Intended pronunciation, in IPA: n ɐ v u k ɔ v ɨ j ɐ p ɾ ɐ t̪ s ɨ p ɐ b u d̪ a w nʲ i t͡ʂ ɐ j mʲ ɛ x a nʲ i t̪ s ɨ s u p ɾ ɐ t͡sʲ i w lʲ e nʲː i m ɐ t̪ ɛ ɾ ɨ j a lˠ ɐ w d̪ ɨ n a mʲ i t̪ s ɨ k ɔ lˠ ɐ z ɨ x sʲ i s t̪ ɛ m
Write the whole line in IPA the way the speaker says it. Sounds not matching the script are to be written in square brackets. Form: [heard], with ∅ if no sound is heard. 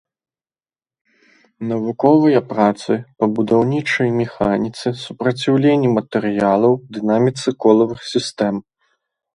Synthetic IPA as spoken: n ɐ v u k ɔ v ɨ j ɐ p ɾ [a] t̪ s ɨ p ɐ b u d̪ a w nʲ i t͡ʂ ɐ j mʲ ɛ x a nʲ i t̪ s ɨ s u p ɾ ɐ t͡sʲ i w lʲ e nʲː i m ɐ t̪ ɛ ɾ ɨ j a lˠ ɐ w d̪ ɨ n a mʲ i t̪ s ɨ k ɔ lˠ ɐ [v] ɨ x sʲ i s t̪ ɛ m

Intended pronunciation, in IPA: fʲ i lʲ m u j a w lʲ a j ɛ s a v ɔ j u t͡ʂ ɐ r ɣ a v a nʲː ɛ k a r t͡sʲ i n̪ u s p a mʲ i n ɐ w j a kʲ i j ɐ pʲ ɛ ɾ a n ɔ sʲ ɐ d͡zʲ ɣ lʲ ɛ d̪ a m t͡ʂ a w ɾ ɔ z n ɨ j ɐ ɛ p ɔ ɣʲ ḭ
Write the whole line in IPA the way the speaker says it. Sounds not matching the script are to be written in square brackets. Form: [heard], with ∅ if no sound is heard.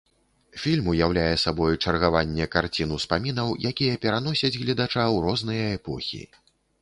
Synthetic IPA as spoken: fʲ i lʲ m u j a w lʲ a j ɛ s a [b] ɔ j u t͡ʂ ɐ r ɣ a v a nʲː ɛ k a r t͡sʲ i n̪ u s p a mʲ i n ɐ w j a kʲ i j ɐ pʲ ɛ ɾ a n ɔ sʲ ɐ d͡zʲ ɣ lʲ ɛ d̪ a [∅] t͡ʂ a w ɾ ɔ z n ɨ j ɐ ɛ p ɔ [xʲ] ḭ

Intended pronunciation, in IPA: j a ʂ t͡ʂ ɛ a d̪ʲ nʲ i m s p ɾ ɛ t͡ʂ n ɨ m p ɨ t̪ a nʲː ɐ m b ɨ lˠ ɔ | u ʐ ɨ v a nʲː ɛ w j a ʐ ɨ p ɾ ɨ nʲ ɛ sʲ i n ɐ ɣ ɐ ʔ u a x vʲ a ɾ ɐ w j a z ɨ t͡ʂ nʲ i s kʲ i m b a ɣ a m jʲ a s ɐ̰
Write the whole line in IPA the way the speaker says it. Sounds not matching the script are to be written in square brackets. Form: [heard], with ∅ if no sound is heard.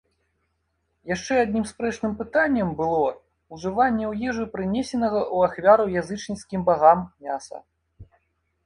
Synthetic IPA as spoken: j a ʂ t͡ʂ ɛ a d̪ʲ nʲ i m s p ɾ ɛ t͡ʂ n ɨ m p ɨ t̪ a nʲː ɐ m b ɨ lˠ ɔ | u ʐ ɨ v a nʲː ɛ w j [ɛ] ʐ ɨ p ɾ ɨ nʲ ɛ sʲ [ɛ] n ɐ ɣ ɐ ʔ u a x vʲ a ɾ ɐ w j a z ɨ t͡ʂ nʲ i s kʲ i m b a ɣ a m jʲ a s ɐ̰

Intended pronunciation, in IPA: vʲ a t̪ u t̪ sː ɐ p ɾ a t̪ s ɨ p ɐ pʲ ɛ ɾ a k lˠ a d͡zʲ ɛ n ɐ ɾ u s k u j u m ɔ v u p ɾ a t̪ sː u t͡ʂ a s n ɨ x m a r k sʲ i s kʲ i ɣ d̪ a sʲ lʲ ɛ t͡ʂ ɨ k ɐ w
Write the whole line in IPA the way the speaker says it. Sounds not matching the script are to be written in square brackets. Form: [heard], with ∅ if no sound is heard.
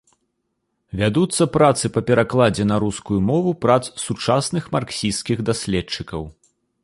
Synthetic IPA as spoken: vʲ a [d̪] u t̪ sː ɐ p ɾ a t̪ s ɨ p ɐ pʲ ɛ ɾ a k lˠ a d͡zʲ ɛ n ɐ ɾ u s k u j u m ɔ v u p ɾ a t̪ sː u t͡ʂ a s n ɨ x m a r k sʲ i s kʲ i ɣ d̪ a sʲ lʲ ɛ t͡ʂ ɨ k ɐ w

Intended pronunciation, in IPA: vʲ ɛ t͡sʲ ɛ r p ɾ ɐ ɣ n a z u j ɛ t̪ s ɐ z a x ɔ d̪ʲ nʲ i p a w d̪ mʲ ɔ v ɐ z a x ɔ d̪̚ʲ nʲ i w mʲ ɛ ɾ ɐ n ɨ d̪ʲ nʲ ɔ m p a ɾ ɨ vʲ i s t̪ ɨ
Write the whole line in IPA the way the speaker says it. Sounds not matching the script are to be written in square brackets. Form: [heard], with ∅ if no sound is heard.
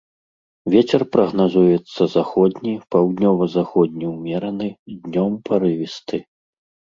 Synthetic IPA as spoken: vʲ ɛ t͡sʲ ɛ r p ɾ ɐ ɣ n a z u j ɛ t̪ [sː] ɐ z a x ɔ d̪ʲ nʲ i p a w d̪ [nʲ] ɔ v ɐ z a x ɔ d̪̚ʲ nʲ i w mʲ ɛ ɾ ɐ n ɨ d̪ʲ nʲ ɔ m p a ɾ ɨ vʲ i s t̪ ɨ

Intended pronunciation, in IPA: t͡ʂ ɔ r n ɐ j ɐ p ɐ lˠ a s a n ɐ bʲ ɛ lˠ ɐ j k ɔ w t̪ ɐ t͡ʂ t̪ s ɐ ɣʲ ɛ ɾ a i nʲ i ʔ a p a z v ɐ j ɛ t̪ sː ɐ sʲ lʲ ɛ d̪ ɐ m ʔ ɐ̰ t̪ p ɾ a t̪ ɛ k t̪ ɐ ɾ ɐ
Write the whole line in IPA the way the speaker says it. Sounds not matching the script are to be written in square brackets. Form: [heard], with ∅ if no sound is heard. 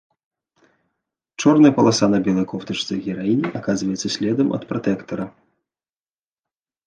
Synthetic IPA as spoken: t͡ʂ ɔ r n ɐ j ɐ p ɐ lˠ a s a n ɐ bʲ ɛ lˠ ɐ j k ɔ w t̪ ɐ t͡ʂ t̪ s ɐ ɣʲ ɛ ɾ a i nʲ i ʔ a [k] a z v ɐ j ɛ t̪ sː ɐ sʲ lʲ ɛ d̪ ɐ m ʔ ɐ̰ t̪ p ɾ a t̪ ɛ k t̪ ɐ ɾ ɐ

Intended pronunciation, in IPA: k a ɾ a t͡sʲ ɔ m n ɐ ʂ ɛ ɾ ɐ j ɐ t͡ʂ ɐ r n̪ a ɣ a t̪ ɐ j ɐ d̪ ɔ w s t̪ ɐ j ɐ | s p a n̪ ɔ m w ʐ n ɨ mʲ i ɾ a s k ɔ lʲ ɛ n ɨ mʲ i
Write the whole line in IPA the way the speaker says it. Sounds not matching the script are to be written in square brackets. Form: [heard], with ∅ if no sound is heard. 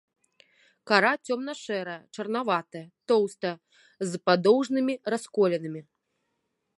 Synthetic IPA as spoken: k a ɾ a t͡sʲ ɔ m n ɐ ʂ ɛ ɾ ɐ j ɐ t͡ʂ ɐ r n̪ a [v] a t̪ ɐ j ɐ [t̪] ɔ w s t̪ ɐ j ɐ | [z] p a [d̪] ɔ [∅] w ʐ n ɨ mʲ i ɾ a s k ɔ lʲ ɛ n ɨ mʲ i

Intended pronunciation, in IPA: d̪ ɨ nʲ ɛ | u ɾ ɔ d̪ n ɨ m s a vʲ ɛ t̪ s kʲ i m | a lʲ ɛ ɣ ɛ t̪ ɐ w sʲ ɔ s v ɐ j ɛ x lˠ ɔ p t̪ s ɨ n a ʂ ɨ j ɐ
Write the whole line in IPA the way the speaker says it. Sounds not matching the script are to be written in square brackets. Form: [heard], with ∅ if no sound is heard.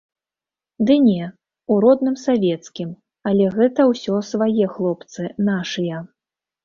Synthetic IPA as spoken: d̪ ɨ nʲ ɛ | u ɾ ɔ d̪ n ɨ m s a vʲ ɛ t̪ s kʲ i m | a lʲ ɛ ɣ ɛ t̪ ɐ w sʲ ɔ s v [a] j ɛ x lˠ ɔ p t̪ s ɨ n a ʂ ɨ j ɐ

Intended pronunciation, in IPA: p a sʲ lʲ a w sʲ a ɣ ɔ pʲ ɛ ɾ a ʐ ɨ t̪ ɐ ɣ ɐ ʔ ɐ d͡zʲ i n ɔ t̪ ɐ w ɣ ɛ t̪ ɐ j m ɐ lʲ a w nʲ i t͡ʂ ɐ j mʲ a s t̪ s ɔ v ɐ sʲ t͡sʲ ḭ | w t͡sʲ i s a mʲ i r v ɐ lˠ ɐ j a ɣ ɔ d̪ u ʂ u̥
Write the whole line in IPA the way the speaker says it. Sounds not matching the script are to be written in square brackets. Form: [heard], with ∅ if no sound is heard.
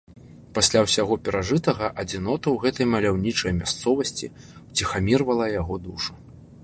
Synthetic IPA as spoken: p a sʲ lʲ a w sʲ a ɣ ɔ pʲ ɛ ɾ a ʐ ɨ t̪ ɐ ɣ ɐ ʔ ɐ d͡zʲ i n ɔ t̪ ɐ w ɣ ɛ t̪ ɐ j m ɐ lʲ a w nʲ i t͡ʂ ɐ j mʲ a s t̪ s ɔ v ɐ sʲ t͡sʲ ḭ | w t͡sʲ i [x] a mʲ i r v ɐ lˠ ɐ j a ɣ ɔ d̪ u ʂ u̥

